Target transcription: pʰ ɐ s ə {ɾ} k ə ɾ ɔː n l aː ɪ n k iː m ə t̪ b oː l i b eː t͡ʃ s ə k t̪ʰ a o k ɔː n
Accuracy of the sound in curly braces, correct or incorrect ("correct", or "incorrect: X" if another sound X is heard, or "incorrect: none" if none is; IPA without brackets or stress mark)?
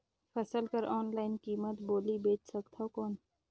incorrect: l